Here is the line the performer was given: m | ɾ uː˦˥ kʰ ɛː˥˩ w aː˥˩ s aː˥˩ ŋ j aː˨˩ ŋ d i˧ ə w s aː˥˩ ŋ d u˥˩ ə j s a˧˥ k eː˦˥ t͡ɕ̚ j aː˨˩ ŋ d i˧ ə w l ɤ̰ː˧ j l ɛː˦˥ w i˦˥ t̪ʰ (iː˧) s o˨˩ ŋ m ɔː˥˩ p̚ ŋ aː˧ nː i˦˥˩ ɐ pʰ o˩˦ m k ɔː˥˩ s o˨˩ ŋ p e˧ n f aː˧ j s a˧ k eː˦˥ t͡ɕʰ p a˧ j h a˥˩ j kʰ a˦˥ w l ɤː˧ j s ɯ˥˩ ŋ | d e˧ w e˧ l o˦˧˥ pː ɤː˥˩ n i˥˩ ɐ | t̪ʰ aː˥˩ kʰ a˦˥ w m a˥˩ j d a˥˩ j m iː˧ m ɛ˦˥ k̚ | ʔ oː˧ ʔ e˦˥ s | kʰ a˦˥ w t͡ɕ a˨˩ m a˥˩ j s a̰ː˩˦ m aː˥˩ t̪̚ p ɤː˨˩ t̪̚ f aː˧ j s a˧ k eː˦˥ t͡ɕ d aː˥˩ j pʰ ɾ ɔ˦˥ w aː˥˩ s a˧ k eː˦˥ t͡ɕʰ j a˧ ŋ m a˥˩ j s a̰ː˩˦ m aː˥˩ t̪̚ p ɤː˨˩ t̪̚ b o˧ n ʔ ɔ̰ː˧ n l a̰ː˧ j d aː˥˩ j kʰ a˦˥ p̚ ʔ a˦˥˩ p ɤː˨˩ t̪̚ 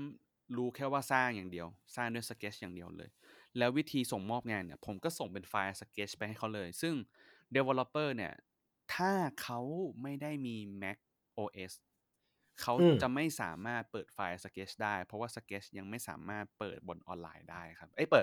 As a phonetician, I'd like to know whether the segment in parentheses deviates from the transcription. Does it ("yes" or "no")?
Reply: no